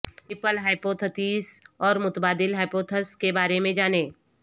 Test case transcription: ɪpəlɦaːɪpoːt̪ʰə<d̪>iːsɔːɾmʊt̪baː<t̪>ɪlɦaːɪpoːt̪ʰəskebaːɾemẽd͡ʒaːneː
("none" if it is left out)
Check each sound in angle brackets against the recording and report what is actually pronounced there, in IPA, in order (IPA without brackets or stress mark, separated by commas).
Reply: t̪, d̪